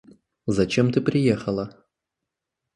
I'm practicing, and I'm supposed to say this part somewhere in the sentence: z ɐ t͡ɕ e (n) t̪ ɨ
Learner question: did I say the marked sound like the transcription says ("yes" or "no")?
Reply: no